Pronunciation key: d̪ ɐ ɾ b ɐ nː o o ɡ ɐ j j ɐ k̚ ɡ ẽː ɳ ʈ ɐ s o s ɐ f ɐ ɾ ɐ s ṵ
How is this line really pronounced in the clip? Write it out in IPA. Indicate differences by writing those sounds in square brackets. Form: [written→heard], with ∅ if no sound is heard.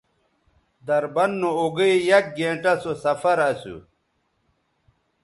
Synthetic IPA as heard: d̪ ɐ ɾ b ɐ nː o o ɡ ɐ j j ɐ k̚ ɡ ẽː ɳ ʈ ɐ s o s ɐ f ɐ ɾ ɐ s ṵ

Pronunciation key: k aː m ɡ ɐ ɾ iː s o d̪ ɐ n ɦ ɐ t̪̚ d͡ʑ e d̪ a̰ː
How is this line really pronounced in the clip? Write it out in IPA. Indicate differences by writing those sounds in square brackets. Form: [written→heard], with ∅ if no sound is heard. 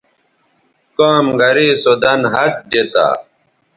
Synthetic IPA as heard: k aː m ɡ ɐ ɾ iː s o d̪ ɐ n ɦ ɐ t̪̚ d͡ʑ e [d̪→t̪] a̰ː

